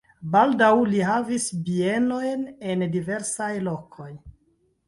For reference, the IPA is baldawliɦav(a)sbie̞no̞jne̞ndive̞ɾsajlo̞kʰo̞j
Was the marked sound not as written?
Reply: yes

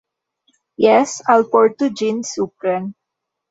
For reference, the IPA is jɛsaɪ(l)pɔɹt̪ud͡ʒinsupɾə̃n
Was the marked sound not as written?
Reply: no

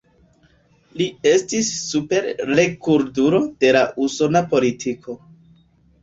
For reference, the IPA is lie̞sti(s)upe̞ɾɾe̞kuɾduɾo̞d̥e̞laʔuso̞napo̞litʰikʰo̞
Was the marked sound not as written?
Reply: yes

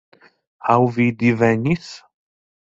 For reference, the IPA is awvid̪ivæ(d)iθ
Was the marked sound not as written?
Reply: yes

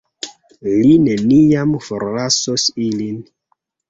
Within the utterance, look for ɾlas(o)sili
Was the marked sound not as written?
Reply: no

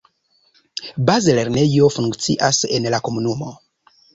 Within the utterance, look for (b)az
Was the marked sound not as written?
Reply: no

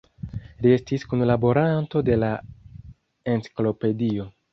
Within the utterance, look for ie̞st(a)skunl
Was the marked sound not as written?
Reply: yes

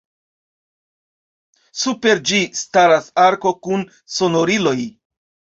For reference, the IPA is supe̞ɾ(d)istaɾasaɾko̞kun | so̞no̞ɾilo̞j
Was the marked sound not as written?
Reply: yes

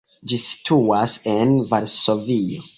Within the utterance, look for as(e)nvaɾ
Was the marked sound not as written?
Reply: no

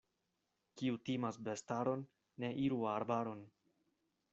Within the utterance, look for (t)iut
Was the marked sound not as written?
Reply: yes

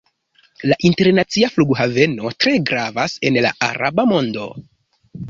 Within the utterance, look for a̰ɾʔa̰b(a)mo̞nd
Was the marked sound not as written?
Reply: no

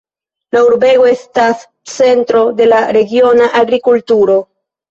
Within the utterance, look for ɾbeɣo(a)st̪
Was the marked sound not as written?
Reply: yes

